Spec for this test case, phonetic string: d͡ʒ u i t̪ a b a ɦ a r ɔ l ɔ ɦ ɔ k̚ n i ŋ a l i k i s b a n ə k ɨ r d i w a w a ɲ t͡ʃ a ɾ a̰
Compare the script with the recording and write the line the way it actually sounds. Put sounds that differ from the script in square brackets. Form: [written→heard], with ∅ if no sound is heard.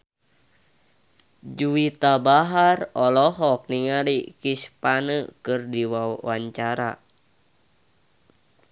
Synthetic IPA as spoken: d͡ʒ u i t̪ a b a ɦ a r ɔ l ɔ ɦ ɔ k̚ n i ŋ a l i k i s [b→p] a n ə k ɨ r d i w a w a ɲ t͡ʃ a ɾ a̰